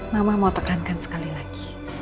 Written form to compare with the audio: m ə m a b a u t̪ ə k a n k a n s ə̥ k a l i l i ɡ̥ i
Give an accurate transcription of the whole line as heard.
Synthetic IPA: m a m a m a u t̪ ə k a n k a n s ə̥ k a l i l a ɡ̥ i